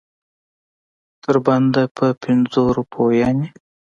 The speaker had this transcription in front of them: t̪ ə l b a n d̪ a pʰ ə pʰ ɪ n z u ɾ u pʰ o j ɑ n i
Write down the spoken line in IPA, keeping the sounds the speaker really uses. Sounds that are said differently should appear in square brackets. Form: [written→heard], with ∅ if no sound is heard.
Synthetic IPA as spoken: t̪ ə [l→ɾ] b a n d̪ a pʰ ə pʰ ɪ n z [u→o] ɾ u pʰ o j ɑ n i